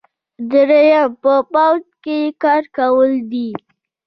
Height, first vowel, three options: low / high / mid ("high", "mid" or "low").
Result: mid